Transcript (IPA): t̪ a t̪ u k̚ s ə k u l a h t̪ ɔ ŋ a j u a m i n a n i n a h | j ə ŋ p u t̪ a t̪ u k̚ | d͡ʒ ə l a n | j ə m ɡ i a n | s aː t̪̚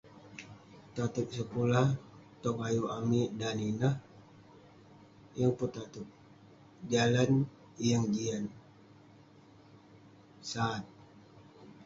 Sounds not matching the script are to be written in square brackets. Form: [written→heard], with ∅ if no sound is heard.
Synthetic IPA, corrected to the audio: t̪ a t̪ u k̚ s ə k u l a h t̪ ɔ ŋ a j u a m i [n→d] a n i n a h | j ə ŋ p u t̪ a t̪ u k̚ | d͡ʒ [ə→a] l a n | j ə [m→ŋ] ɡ i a n | s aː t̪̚